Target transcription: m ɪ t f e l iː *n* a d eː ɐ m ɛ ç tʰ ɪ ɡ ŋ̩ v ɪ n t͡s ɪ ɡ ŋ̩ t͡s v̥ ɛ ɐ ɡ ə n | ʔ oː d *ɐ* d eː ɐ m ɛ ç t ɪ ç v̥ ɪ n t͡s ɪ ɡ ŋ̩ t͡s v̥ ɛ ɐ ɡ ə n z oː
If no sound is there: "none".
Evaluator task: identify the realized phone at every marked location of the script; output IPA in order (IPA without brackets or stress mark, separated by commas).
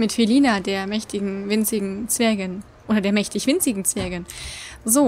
n, ɐ